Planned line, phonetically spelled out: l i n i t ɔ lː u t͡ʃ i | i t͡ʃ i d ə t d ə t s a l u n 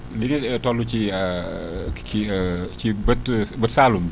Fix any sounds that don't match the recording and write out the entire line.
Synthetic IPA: l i n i t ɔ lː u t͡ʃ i | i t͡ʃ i b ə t b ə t s a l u m